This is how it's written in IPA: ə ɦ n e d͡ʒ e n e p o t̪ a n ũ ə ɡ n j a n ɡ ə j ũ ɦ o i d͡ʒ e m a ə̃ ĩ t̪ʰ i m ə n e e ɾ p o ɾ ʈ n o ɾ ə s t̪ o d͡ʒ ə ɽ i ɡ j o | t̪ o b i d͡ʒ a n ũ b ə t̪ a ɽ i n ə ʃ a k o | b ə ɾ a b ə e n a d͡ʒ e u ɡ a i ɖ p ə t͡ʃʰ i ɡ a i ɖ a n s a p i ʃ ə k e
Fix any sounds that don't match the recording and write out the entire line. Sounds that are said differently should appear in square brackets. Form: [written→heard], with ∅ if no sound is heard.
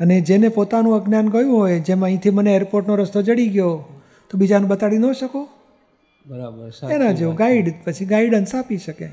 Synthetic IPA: ə [ɦ→∅] n e d͡ʒ e n e p o t̪ a n ũ ə ɡ n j a n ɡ ə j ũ ɦ o [i→j] d͡ʒ e m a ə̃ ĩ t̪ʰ i m ə n e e ɾ p o ɾ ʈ n o ɾ ə s t̪ o d͡ʒ ə ɽ i ɡ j o | t̪ o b i d͡ʒ a n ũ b ə t̪ a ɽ i n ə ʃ [a→ə] k o | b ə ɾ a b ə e n a d͡ʒ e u ɡ a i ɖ p ə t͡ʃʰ i ɡ a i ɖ [a→ə] n s a p i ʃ ə k e